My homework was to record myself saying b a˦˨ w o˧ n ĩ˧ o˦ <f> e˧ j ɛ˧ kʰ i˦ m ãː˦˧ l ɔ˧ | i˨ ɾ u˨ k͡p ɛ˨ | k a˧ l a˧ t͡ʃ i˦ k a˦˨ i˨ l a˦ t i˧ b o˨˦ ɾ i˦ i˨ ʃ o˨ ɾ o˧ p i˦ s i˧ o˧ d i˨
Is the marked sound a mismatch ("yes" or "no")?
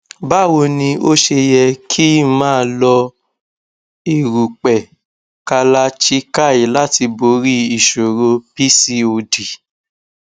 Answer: yes